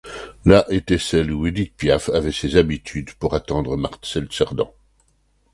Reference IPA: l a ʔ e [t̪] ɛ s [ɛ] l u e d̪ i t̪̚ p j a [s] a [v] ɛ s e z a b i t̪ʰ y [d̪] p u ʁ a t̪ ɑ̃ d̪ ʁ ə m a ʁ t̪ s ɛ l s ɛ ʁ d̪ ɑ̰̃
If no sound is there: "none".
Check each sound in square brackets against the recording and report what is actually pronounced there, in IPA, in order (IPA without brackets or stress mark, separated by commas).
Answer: t̪, ɛ, f, v, d̪